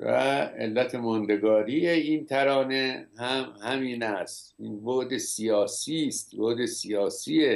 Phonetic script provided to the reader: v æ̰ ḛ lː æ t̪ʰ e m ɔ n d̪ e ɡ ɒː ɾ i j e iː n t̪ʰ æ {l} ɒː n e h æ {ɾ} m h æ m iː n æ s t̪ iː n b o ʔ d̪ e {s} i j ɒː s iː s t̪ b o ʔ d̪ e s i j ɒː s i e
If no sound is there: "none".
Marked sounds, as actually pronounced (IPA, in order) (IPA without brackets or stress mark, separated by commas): ɾ, none, s